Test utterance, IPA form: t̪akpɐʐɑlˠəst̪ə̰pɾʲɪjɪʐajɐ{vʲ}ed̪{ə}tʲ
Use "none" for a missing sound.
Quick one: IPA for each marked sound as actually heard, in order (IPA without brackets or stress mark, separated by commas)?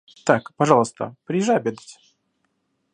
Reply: bʲ, ə